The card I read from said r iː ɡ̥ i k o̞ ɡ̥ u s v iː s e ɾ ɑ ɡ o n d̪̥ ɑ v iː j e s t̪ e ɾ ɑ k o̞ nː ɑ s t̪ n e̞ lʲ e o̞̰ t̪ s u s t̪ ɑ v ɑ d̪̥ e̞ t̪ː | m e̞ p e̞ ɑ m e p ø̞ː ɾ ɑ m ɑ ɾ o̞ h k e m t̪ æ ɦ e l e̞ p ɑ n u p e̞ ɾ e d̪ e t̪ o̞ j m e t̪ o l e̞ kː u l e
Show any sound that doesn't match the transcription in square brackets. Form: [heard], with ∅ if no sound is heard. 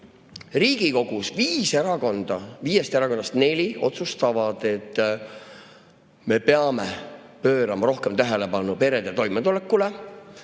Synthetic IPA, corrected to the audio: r iː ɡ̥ i k o̞ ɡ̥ u s v iː s e ɾ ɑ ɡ o n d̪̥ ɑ v iː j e s t̪ e ɾ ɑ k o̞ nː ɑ s t̪ n e̞ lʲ [i] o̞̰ t̪ s u s t̪ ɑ v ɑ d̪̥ e̞ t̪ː | m e̞ p e̞ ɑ m e p ø̞ː ɾ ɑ m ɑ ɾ o̞ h k e m t̪ æ ɦ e l e̞ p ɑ n u p e̞ ɾ e d̪ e t̪ o̞ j m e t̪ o l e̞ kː u l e